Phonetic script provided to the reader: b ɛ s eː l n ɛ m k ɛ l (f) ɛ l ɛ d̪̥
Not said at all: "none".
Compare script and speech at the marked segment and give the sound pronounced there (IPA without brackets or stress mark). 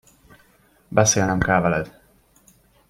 v